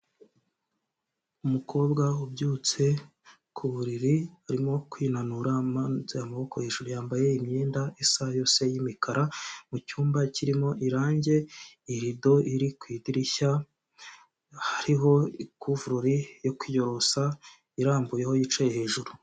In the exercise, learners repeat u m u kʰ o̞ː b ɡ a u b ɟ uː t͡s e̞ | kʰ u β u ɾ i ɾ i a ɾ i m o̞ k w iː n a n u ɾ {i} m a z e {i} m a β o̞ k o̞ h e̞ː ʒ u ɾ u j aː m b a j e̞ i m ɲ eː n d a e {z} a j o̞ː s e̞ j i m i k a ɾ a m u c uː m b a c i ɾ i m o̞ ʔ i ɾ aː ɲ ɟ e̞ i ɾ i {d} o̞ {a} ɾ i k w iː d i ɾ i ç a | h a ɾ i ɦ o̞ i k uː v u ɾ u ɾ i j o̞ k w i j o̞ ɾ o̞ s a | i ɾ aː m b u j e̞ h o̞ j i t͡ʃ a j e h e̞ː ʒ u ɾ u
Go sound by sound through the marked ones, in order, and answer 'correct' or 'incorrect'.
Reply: incorrect: a, incorrect: a, incorrect: s, correct, incorrect: i

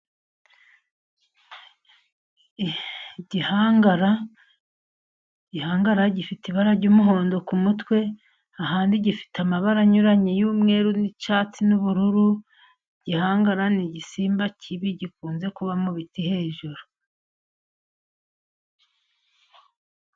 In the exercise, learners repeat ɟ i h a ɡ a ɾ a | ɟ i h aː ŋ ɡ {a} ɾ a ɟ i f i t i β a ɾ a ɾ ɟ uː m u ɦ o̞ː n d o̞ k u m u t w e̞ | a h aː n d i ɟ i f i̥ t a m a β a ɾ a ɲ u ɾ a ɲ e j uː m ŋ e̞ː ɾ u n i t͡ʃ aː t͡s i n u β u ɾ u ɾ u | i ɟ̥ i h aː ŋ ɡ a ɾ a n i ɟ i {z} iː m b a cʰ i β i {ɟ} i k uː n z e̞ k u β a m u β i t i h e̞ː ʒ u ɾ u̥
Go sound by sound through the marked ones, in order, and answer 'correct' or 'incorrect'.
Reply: correct, incorrect: s, correct

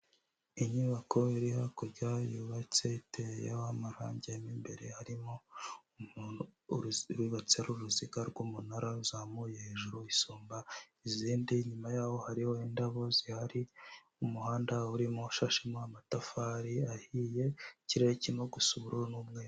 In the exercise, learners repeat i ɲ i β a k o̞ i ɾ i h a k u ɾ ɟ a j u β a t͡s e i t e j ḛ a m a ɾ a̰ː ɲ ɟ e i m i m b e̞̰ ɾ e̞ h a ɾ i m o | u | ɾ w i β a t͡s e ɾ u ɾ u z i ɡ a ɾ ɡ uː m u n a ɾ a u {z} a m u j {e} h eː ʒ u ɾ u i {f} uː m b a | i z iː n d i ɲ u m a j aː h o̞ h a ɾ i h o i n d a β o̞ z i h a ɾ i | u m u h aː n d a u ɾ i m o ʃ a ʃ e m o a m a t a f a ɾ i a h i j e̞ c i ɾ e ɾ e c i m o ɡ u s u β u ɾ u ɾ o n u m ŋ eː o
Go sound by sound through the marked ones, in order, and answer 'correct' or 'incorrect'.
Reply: correct, correct, incorrect: s

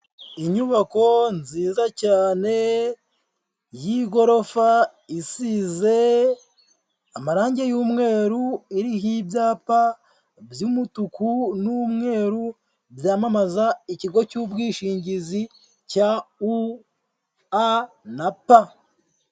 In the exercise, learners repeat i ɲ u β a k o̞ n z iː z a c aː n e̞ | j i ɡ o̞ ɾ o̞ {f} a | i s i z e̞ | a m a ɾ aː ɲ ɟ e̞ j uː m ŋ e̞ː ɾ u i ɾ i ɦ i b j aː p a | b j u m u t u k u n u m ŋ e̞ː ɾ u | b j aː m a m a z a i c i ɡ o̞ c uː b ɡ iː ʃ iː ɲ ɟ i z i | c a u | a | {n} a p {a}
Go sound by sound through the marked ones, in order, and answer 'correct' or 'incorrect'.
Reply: correct, correct, correct

